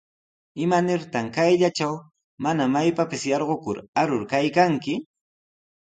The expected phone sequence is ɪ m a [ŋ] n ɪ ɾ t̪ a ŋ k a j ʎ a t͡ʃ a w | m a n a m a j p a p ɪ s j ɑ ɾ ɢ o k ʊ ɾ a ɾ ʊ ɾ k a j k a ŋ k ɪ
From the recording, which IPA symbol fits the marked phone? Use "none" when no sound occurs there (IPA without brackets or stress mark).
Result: none